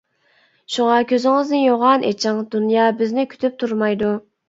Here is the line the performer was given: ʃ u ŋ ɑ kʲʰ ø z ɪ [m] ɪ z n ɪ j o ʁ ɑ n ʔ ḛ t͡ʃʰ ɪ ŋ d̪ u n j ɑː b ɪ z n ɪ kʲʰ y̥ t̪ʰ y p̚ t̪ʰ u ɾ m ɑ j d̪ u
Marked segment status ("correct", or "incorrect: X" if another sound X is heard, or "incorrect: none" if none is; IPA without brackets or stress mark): incorrect: ŋ